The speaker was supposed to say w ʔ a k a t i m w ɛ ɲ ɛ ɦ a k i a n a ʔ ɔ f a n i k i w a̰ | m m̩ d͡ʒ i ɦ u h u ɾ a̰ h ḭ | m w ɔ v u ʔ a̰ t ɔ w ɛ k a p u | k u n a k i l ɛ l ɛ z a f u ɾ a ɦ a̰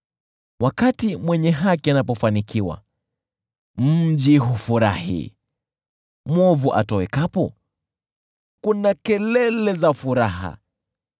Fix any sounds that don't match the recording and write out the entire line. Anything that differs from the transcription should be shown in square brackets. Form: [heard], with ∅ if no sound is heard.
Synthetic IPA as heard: w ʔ a k a t i m w ɛ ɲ ɛ ɦ a k i a n a [p] ɔ f a n i k i w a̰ | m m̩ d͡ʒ i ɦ u [f] u ɾ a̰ h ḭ | m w ɔ v u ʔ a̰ t ɔ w ɛ k a p [ɔ] | k u n a k [ɛ] l ɛ l ɛ z a f u ɾ a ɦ a̰